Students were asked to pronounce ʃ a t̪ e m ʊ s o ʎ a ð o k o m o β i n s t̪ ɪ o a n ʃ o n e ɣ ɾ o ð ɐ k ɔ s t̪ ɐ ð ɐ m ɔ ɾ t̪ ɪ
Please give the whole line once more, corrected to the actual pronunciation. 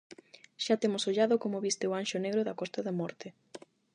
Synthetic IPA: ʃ a t̪ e m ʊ s o ʎ a ð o k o m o β i s t̪ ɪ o a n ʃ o n e ɣ ɾ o ð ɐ k ɔ s t̪ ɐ ð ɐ m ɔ ɾ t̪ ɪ